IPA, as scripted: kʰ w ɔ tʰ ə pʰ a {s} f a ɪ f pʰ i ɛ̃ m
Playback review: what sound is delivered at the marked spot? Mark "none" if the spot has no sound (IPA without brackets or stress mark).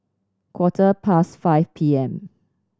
s